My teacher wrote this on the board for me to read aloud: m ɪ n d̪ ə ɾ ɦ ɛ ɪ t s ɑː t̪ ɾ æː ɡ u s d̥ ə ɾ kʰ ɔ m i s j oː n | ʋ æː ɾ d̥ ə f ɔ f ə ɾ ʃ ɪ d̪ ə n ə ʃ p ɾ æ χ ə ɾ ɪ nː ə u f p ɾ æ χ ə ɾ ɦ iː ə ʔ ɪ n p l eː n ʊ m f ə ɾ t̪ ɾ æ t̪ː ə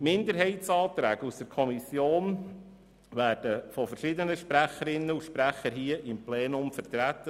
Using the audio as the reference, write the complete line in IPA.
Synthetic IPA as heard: m ɪ n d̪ ə ɾ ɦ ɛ ɪ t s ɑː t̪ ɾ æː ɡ u s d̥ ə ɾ kʰ ɔ m i s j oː n | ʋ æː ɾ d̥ ə f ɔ f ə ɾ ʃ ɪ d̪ ə n ə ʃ p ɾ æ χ ə ɾ ɪ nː ə u ʃ p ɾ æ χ ə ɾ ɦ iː ə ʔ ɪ m p l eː n ʊ m f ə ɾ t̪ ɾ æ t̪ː ə